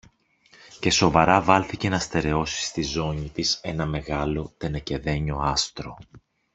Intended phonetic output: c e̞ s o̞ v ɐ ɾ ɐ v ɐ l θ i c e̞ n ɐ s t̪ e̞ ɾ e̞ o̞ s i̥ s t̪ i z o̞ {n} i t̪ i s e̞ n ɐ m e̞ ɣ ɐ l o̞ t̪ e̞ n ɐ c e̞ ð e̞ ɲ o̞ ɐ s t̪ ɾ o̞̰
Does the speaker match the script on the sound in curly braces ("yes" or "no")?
no